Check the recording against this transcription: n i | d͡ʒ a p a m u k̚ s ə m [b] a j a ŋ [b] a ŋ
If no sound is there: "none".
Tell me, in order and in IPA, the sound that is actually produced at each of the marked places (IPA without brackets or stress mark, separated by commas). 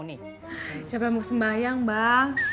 b, b